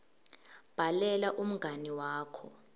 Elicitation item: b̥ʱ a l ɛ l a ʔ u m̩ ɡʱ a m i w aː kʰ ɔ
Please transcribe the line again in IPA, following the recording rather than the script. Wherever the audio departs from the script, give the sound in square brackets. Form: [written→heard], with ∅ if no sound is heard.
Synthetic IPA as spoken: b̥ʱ a l ɛ l a ʔ u m̩ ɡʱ a [m→n] i w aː kʰ ɔ